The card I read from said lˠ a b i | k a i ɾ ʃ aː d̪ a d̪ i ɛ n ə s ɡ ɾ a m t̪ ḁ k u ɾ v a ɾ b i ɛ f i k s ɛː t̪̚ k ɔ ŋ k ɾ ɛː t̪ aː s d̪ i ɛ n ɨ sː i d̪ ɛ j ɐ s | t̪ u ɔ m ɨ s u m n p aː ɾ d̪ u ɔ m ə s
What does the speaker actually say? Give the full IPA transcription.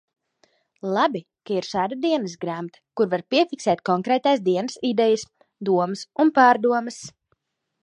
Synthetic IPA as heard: lˠ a b i | k a i ɾ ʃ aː d̪ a d̪ i ɛ n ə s ɡ ɾ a m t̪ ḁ k u ɾ v a ɾ p i ɛ f i k s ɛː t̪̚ k ɔ ŋ k ɾ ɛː t̪ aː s d̪ i ɛ n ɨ s i d̪ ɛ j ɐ s | d̪ u ɔ m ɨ s u n p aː ɾ d̪ u ɔ m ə s